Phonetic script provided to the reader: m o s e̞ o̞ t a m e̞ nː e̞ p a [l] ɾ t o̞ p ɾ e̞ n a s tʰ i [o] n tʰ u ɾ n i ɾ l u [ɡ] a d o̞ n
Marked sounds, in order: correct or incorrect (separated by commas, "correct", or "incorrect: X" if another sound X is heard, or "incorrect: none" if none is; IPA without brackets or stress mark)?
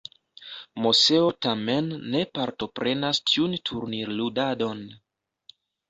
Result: incorrect: none, incorrect: u, incorrect: d